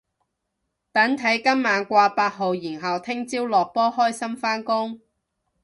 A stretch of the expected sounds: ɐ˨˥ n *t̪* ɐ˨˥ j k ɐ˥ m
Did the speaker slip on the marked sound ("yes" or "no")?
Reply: yes